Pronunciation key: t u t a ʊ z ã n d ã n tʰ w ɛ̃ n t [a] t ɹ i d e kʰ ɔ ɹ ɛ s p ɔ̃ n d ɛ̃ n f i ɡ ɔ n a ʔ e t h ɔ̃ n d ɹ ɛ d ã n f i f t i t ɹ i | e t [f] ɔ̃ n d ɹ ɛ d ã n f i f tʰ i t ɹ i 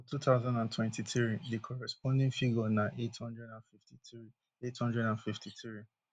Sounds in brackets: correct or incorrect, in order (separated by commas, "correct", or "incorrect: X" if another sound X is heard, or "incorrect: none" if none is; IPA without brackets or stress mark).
incorrect: i, incorrect: h